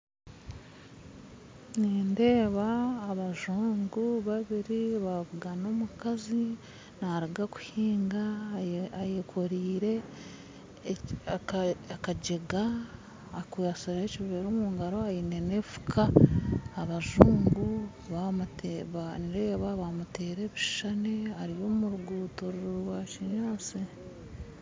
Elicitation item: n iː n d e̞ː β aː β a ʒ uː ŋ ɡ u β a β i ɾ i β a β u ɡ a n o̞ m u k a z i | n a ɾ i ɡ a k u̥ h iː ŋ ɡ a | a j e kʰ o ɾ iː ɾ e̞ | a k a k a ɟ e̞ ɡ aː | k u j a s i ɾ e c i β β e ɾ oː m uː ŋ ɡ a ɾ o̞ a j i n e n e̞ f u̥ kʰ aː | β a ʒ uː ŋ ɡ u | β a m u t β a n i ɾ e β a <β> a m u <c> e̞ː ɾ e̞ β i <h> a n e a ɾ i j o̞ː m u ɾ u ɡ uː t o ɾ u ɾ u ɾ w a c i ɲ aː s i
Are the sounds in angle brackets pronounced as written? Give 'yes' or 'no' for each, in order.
yes, no, no

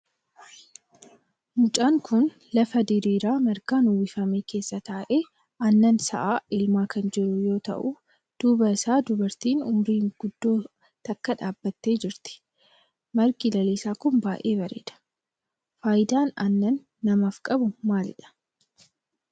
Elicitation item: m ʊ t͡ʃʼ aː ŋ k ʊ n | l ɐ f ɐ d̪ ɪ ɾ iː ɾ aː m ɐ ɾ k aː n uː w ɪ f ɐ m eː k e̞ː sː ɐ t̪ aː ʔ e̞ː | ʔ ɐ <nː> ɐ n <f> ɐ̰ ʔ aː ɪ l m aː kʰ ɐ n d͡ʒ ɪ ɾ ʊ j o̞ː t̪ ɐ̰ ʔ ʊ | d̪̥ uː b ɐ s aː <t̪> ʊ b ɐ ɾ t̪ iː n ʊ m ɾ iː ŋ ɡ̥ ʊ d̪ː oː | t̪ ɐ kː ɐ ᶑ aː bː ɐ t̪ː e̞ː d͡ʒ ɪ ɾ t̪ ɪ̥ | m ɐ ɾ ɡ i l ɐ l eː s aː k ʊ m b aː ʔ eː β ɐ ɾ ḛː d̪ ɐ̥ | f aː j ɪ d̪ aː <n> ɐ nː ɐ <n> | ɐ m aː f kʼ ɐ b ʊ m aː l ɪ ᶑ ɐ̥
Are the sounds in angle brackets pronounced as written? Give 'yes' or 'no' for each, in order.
yes, no, no, yes, no

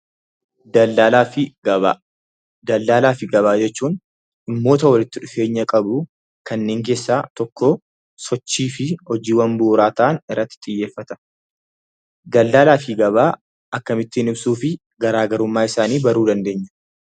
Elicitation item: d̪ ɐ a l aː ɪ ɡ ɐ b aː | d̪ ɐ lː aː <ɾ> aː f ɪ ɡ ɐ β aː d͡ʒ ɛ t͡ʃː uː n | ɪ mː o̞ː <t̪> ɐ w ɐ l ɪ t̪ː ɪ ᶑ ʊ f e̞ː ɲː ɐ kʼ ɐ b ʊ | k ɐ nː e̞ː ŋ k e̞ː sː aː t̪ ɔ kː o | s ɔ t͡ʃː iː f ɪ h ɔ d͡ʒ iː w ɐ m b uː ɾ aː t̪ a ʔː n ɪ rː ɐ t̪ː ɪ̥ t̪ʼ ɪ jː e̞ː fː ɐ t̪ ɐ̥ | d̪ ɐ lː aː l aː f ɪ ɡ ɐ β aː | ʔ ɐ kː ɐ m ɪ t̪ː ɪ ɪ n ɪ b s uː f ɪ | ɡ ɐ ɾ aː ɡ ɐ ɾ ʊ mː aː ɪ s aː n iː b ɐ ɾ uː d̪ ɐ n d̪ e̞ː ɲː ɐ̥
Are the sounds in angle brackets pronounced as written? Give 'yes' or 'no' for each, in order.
no, yes

